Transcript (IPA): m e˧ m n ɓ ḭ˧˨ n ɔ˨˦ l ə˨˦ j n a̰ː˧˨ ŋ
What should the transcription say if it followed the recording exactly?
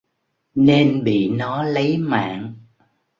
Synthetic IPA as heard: n e˧ n ɓ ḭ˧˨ n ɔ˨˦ l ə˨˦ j m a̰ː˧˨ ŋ